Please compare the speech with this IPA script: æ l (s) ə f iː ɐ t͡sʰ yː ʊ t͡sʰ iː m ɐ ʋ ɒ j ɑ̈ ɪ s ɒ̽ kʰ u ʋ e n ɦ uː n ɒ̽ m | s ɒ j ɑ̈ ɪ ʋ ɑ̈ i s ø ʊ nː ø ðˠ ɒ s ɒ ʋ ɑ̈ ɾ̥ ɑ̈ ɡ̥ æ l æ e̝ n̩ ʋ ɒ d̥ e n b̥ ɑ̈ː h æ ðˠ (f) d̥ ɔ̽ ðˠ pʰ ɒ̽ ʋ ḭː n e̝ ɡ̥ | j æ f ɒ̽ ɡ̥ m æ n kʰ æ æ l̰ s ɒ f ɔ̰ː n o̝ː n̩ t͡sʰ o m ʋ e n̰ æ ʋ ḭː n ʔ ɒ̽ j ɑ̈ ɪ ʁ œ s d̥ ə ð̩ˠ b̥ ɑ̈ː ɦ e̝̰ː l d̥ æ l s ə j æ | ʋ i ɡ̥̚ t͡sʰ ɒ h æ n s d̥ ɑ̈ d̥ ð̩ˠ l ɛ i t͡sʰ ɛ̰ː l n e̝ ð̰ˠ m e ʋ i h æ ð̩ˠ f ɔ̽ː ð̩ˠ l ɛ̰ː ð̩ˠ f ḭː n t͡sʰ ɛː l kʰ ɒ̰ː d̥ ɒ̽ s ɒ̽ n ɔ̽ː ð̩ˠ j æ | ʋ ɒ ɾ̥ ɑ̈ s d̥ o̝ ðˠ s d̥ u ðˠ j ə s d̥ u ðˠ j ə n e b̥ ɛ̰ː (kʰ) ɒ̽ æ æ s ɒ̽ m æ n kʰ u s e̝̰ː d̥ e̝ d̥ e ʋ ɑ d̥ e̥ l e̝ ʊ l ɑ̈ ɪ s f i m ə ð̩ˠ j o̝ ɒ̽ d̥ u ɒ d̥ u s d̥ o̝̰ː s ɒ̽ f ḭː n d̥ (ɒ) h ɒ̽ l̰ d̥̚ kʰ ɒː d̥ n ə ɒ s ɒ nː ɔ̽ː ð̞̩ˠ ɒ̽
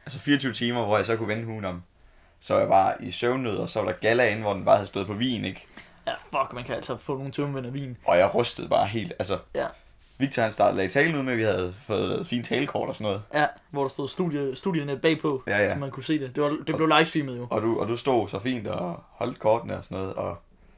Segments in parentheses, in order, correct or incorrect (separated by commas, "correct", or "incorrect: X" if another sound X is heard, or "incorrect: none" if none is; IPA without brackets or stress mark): correct, incorrect: s, incorrect: pʰ, correct